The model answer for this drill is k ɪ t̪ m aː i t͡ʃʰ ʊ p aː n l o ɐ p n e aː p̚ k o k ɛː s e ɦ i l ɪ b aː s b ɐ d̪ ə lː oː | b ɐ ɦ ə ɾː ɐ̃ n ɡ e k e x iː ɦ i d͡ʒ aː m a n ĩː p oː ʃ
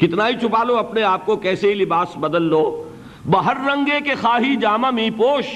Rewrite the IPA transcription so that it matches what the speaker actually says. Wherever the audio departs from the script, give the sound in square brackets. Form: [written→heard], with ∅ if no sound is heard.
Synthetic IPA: k ɪ t̪ [m→n] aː i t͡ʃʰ ʊ p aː [n→∅] l o ɐ p n e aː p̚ k o k ɛː s e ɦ i l ɪ b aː s b ɐ d̪ ə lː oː | b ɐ ɦ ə ɾː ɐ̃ [n→ŋ] ɡ e k e x [iː→aː] ɦ i d͡ʒ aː m a [n→m] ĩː p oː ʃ